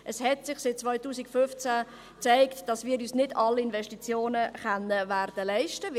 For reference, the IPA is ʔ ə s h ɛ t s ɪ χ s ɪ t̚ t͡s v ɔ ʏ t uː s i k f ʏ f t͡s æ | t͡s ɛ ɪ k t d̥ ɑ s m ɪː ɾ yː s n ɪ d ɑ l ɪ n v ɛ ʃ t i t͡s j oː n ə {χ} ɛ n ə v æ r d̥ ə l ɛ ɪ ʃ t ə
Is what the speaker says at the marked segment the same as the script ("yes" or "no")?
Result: yes